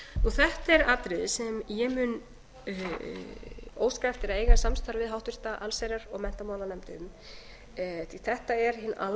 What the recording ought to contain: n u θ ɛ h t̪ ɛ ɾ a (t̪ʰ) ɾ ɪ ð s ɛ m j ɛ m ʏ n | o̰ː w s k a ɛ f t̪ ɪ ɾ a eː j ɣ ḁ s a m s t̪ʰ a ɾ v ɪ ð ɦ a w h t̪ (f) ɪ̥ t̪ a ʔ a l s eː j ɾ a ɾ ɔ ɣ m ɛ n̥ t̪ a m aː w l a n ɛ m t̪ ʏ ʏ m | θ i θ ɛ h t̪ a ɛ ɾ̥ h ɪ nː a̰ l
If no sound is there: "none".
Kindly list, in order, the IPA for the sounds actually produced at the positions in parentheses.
t̪, v

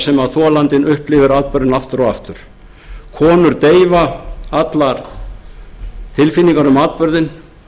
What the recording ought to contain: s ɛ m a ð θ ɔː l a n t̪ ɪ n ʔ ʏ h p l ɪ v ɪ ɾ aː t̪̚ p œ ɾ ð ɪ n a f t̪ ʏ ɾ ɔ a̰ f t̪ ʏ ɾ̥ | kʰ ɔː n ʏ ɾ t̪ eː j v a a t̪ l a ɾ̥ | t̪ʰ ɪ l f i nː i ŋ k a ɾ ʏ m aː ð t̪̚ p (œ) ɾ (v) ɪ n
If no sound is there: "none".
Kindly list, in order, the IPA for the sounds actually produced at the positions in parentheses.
œ, ð

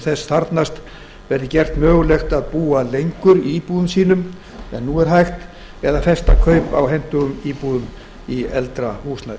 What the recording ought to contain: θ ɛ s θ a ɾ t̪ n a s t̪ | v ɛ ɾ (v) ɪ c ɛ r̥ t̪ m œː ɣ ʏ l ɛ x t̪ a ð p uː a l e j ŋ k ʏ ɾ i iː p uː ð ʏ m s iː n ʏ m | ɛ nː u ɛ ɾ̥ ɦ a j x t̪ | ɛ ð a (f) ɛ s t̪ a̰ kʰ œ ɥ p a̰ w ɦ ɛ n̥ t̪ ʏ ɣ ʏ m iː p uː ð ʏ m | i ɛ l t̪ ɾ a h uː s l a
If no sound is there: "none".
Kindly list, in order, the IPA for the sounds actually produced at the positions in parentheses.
ð, f

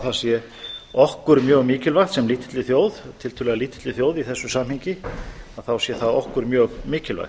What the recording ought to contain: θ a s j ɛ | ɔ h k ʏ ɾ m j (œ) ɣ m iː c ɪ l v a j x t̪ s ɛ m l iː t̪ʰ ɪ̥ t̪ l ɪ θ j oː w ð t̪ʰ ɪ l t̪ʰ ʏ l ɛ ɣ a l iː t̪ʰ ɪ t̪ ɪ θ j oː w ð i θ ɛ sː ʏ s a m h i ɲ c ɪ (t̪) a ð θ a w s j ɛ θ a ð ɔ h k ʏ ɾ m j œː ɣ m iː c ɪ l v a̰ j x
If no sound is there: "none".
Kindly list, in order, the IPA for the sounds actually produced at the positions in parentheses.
œː, none

